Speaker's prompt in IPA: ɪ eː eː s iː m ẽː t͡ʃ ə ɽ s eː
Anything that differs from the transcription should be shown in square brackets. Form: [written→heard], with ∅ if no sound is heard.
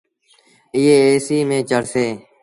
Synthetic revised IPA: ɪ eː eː s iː m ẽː t͡ʃ ə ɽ s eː